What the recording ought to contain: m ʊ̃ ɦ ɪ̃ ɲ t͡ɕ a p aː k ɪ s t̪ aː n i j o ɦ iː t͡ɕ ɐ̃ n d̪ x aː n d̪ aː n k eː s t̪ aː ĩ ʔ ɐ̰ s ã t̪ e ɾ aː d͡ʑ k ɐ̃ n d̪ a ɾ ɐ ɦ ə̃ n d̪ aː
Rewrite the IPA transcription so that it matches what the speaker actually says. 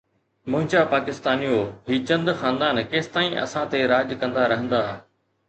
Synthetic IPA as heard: m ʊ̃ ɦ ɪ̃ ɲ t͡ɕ a p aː k ɪ s t̪ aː n i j o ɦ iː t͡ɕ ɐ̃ n d̪ x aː n d̪ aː n k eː s t̪ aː ĩ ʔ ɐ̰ s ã t̪ e ɾ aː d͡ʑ k ɐ̃ n d̪ a ɾ ɐ ɦ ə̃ n d̪ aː